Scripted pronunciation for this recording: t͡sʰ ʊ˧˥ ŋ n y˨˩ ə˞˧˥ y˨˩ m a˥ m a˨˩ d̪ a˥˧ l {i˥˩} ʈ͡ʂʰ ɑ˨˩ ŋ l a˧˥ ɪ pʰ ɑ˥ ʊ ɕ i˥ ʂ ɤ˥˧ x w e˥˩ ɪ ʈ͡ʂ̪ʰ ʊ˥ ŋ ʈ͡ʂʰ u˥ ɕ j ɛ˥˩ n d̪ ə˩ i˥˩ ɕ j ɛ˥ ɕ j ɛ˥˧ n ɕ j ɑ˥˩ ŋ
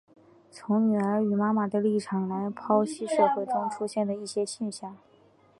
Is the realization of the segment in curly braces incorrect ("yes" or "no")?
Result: no